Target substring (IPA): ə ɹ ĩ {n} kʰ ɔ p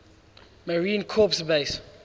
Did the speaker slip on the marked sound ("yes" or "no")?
no